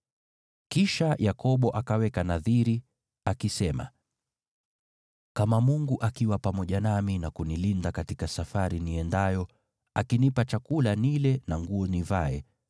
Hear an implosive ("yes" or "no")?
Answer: yes